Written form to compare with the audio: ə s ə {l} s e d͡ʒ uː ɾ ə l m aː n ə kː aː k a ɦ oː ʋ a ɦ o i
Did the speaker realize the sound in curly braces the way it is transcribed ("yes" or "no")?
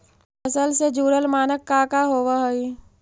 yes